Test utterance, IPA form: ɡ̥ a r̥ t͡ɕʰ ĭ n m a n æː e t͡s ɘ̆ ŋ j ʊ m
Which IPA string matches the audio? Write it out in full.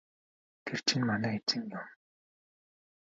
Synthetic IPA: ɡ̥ e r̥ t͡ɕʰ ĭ n m a n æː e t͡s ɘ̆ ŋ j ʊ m